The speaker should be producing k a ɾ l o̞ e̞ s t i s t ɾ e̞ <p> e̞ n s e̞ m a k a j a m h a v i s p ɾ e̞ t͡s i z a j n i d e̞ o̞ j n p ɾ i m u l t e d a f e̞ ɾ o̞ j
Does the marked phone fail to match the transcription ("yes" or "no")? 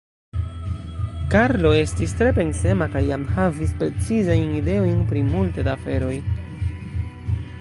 no